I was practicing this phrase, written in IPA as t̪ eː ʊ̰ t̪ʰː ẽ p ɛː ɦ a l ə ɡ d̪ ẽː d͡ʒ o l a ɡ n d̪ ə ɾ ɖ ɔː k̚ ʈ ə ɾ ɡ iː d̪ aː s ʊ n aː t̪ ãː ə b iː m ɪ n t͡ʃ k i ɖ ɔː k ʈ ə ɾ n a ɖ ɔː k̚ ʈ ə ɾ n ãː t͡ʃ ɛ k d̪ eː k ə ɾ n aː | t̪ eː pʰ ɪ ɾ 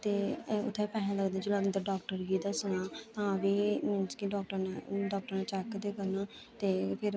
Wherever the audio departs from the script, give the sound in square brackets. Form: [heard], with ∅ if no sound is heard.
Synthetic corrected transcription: t̪ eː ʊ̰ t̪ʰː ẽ p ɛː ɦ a l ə ɡ d̪ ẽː d͡ʒ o l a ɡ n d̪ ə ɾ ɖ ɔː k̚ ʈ ə ɾ ɡ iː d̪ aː s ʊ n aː t̪ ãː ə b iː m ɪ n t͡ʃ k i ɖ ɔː k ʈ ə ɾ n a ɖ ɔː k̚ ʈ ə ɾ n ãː t͡ʃ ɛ k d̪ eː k ə ɾ n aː | t̪ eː pʰ ɪ ɾ

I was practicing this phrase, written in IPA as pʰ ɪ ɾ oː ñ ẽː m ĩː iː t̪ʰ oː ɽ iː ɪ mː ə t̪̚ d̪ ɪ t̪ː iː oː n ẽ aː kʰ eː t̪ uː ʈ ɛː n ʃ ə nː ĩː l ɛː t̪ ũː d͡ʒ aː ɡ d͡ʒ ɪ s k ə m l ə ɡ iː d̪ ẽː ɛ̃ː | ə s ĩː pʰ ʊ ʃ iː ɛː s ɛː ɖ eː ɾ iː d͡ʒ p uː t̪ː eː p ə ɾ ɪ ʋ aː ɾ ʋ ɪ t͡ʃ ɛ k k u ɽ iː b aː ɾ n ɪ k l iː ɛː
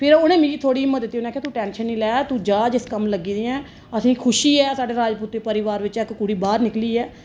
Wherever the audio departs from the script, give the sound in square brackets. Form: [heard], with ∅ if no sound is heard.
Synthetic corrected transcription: pʰ ɪ ɾ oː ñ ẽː m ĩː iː t̪ʰ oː ɽ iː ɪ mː ə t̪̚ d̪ ɪ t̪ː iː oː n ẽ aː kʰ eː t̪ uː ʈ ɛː n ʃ ə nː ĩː l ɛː t̪ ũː d͡ʒ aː [∅] d͡ʒ ɪ s k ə m l ə ɡ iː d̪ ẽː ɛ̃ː | ə s ĩː [kʰ] ʊ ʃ iː ɛː s [aː] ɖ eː ɾ [aː] d͡ʒ p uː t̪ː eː p ə ɾ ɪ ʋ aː ɾ ʋ ɪ t͡ʃ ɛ k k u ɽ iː b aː ɾ n ɪ k l iː ɛː

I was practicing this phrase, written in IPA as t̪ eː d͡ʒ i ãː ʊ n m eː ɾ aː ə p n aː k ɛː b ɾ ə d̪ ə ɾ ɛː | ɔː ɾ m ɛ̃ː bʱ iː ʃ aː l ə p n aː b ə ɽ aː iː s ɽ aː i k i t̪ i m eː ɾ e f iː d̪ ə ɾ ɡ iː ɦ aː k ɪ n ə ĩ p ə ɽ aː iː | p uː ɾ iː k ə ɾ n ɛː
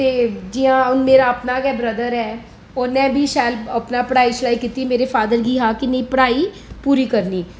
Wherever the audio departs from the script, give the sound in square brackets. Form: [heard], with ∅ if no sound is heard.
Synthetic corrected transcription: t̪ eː d͡ʒ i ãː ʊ n m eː ɾ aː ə p n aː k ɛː b ɾ ə d̪ ə ɾ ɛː | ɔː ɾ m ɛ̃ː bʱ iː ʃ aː l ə p n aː [p] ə ɽ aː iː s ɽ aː i k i t̪ i m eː ɾ e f [aː] d̪ ə ɾ ɡ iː ɦ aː k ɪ n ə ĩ p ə ɽ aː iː | p uː ɾ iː k ə ɾ n [iː]

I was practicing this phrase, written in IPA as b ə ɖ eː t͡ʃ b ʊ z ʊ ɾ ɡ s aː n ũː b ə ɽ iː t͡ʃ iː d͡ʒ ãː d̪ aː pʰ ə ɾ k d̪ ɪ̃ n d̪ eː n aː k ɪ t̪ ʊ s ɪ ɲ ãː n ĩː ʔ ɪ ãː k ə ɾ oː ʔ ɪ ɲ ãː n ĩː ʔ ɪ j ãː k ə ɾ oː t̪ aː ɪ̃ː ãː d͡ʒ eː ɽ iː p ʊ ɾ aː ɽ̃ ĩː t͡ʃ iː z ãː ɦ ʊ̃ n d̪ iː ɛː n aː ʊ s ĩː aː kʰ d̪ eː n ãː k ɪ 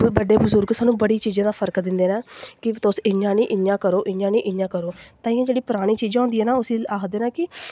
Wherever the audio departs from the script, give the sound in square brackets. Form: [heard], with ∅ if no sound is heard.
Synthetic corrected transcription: b ə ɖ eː [∅] b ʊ z ʊ ɾ ɡ s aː n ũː b ə ɽ iː t͡ʃ iː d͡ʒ ãː d̪ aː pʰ ə ɾ k d̪ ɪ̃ n d̪ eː n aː k ɪ t̪ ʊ s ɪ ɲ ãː n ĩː ʔ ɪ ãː k ə ɾ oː ʔ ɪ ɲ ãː n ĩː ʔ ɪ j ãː k ə ɾ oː t̪ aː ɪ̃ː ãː d͡ʒ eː ɽ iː p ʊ ɾ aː ɽ̃ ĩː t͡ʃ iː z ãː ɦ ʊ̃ n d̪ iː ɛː n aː ʊ s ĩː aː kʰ d̪ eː n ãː k ɪ

